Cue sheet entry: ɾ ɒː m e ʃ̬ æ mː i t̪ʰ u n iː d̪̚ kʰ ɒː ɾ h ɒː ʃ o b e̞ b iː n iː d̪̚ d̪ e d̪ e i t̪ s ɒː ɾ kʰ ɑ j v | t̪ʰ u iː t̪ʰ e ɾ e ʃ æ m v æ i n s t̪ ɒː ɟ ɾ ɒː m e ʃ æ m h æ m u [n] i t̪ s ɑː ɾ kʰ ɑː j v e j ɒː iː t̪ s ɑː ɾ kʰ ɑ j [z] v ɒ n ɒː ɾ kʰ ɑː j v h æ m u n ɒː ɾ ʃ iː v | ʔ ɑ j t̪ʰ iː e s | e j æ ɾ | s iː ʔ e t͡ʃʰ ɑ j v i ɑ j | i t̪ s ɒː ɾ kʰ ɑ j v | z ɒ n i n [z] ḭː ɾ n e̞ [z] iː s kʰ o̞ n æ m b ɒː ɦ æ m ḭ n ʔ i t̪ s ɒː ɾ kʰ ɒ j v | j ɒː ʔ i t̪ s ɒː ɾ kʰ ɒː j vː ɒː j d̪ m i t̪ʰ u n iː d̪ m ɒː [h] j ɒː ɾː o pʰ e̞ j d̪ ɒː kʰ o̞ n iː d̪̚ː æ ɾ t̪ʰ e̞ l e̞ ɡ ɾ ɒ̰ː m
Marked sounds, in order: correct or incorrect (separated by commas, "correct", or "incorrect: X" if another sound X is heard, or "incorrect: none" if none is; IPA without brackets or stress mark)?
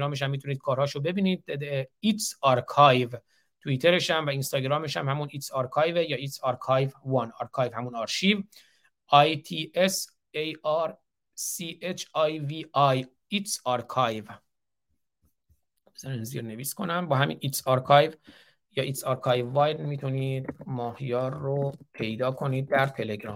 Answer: correct, incorrect: v, correct, incorrect: v, correct